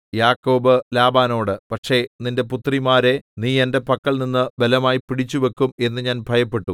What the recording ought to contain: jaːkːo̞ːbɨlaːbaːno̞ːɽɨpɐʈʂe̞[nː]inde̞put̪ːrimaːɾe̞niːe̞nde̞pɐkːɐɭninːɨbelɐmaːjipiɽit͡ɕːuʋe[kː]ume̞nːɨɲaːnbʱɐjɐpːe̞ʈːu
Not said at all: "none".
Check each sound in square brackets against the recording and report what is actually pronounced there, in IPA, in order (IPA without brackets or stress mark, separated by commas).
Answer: n, kː